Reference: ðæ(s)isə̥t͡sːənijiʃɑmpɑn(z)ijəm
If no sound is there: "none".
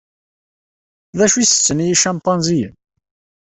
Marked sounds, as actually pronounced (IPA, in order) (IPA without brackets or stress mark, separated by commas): ʃ, z